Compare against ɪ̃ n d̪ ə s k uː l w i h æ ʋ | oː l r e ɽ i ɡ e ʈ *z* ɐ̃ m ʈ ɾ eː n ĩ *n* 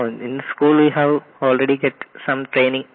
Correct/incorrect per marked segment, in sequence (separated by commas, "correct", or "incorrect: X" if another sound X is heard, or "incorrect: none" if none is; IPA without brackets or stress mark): incorrect: s, incorrect: ŋ